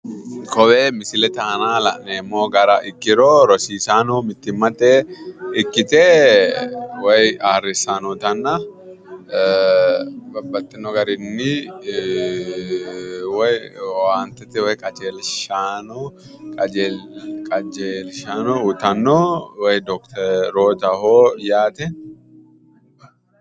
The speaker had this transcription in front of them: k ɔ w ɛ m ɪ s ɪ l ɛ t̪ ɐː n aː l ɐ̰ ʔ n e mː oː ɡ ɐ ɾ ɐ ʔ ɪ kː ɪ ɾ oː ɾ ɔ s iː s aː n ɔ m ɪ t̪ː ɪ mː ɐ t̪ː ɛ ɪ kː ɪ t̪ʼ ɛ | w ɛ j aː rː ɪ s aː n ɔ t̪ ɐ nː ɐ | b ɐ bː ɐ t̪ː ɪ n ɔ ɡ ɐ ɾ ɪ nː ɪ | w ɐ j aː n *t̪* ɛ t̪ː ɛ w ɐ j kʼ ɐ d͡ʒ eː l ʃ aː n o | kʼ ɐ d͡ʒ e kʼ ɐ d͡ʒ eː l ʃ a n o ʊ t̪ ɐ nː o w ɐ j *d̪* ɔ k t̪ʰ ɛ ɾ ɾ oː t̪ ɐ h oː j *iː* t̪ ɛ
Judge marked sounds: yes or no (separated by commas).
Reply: yes, yes, no